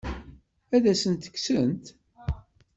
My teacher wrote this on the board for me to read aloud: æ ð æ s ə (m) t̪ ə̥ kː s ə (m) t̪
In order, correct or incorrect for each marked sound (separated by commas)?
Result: incorrect, incorrect